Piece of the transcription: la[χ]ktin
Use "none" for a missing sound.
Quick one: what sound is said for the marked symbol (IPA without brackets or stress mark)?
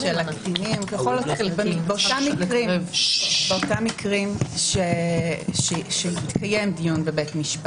none